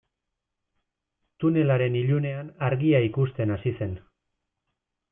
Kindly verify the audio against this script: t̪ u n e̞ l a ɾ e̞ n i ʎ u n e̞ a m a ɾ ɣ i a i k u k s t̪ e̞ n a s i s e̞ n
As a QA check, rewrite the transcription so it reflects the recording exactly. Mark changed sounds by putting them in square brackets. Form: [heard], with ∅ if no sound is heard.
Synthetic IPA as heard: t̪ u n e̞ l a ɾ e̞ n i ʎ u n e̞ a [n] a ɾ ɣ i a i k u [∅] s t̪ e̞ n a s i s e̞ n